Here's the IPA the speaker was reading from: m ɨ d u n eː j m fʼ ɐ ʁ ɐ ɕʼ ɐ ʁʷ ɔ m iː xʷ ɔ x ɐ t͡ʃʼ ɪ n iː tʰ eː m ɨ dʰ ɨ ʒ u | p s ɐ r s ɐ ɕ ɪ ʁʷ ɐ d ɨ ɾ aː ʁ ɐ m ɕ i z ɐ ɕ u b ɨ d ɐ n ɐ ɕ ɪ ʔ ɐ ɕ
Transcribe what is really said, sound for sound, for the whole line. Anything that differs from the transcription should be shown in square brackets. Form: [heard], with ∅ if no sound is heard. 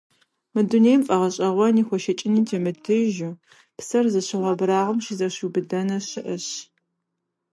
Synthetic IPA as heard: m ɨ d u n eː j m fʼ ɐ ʁ ɐ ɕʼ ɐ ʁʷ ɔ [n] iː xʷ ɔ [ʃ] ɐ t͡ʃʼ ɪ n iː tʰ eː m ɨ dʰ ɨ ʒ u | p s ɐ r [z] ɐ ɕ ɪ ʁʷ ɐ [b] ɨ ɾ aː ʁ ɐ m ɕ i z ɐ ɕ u b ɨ d ɐ n ɐ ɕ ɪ ʔ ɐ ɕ